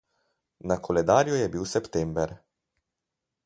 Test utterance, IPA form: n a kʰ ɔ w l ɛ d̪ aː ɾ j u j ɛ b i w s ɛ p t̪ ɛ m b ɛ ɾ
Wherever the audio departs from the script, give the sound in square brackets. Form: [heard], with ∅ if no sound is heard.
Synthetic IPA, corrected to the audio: n a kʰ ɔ [∅] l ɛ d̪ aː ɾ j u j ɛ b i w s ɛ p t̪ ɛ m b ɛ ɾ

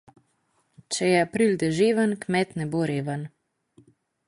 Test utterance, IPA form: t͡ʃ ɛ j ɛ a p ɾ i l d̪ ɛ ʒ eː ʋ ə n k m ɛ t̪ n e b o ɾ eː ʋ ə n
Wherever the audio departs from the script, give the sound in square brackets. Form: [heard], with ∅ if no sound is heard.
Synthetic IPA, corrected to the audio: t͡ʃ ɛ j ɛ a p ɾ i l d̪ ɛ ʒ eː ʋ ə n k m ɛ t̪ n [ɛ] b o ɾ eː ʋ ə n

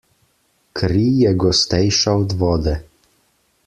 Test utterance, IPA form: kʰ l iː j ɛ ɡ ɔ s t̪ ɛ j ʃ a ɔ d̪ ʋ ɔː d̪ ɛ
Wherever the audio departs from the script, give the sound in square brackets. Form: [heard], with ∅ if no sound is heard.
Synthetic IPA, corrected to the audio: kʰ [ɾ] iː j ɛ ɡ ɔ s t̪ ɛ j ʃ a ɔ d̪ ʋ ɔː d̪ ɛ

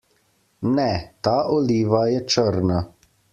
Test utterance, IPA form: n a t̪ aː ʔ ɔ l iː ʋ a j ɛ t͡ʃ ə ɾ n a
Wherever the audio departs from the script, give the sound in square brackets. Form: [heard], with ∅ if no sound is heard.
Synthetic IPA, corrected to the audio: n [ɛ] t̪ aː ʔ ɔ l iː ʋ a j ɛ t͡ʃ ə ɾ n a

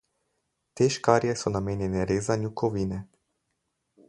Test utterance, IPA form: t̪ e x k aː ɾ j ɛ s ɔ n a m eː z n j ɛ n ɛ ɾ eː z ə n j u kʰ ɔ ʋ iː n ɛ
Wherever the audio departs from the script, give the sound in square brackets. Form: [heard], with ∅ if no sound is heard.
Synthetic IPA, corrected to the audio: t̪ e [ʃ] k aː ɾ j ɛ s ɔ n a m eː [∅] n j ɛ n ɛ ɾ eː z [a] n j u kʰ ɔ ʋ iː n ɛ

